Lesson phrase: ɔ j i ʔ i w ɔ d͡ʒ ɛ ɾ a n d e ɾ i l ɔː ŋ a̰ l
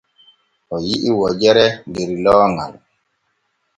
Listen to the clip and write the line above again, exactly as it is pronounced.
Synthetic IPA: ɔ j i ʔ i w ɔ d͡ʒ ɛ ɾ ɛ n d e ɾ i l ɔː ŋ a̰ l